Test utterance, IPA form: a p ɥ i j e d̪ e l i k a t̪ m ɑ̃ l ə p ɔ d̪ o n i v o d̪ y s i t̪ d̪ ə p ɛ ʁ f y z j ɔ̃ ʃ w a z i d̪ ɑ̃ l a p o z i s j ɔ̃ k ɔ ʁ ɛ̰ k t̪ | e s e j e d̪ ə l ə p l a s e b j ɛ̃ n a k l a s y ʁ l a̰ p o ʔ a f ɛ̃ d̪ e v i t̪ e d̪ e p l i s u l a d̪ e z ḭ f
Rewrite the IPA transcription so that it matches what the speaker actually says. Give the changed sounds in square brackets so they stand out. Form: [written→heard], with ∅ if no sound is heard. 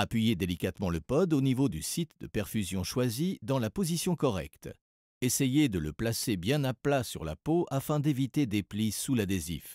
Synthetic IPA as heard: a p ɥ i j e d̪ e l i k a t̪ m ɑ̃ l ə p ɔ d̪ o n i v o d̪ y s i t̪ d̪ ə p ɛ ʁ f y z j ɔ̃ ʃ w a z i d̪ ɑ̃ l a p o z i s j ɔ̃ k ɔ ʁ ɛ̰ k t̪ | e s e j e d̪ ə l ə p l a s e b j ɛ̃ n a [k→p] l a s y ʁ l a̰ p o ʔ a f ɛ̃ d̪ e v i t̪ e d̪ e p l i s u l a d̪ e z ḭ f